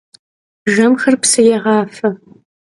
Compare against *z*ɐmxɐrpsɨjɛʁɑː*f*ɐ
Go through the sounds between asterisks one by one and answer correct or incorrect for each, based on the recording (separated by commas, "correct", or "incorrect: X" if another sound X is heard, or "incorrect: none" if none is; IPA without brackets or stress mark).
incorrect: ʒ, correct